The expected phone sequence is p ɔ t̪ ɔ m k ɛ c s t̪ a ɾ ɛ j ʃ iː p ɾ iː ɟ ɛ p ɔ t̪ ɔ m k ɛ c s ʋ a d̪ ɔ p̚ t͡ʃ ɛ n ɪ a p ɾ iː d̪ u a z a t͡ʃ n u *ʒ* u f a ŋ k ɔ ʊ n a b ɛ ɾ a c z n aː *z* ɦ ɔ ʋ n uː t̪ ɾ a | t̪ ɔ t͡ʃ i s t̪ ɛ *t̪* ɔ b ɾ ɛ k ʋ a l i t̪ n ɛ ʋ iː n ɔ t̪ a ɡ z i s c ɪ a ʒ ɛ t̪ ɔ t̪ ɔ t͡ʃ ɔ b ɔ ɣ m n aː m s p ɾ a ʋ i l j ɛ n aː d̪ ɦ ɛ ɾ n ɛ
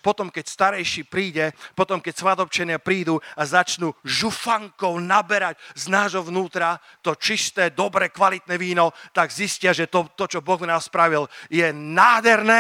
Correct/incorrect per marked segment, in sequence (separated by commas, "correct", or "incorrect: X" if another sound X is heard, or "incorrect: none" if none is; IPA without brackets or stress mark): correct, incorrect: ʒ, incorrect: d̪